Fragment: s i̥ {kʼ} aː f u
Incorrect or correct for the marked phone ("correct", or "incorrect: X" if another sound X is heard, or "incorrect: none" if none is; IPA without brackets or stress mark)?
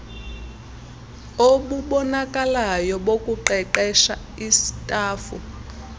incorrect: tʼ